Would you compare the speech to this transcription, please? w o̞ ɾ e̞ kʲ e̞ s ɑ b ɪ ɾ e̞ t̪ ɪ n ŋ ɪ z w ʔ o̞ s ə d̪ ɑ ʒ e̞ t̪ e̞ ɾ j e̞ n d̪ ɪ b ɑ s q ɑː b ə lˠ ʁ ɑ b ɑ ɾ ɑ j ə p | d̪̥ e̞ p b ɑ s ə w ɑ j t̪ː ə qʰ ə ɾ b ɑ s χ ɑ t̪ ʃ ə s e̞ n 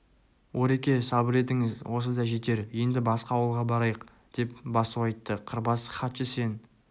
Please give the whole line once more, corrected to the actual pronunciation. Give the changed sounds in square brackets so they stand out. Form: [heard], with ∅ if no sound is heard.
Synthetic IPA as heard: w o̞ ɾ e̞ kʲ e̞ s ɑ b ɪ ɾ e̞ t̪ ɪ [∅] ŋ ɪ z w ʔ o̞ s ə d̪ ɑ ʒ e̞ t̪ e̞ ɾ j e̞ n d̪ ɪ b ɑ s q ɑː [w] ə lˠ ʁ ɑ b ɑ ɾ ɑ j ə [q] | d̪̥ e̞ p b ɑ s ə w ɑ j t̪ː ə qʰ ə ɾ b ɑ s χ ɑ t̪ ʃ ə s e̞ n